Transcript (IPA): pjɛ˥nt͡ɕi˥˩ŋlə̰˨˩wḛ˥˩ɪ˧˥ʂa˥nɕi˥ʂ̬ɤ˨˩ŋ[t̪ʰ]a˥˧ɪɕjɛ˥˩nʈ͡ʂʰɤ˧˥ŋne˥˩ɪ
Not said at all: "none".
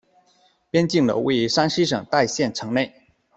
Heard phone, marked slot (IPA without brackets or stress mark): t̪